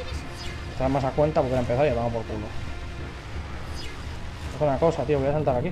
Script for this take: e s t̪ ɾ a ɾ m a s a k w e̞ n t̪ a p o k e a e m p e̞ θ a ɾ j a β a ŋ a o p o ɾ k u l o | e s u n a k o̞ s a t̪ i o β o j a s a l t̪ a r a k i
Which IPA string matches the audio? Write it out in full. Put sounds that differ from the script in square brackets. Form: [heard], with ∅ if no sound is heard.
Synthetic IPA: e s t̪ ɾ a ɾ m a s a k w e̞ n t̪ a p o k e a e m p e̞ θ a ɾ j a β a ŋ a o p o ɾ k u l o | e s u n a k o̞ s a t̪ i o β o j a s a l t̪ a [ɾ] a k i